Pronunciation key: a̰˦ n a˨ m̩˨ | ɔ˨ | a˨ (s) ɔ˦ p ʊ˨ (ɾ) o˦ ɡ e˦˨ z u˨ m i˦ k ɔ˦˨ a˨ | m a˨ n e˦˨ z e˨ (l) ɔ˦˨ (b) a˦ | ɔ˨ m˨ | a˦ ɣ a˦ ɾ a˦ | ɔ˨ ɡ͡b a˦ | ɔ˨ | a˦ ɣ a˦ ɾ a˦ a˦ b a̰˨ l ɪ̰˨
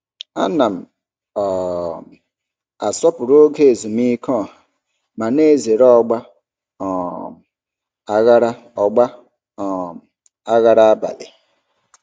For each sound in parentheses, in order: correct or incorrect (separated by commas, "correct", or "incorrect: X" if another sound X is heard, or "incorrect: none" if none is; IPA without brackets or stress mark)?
correct, correct, incorrect: ɾ, incorrect: ɡ͡b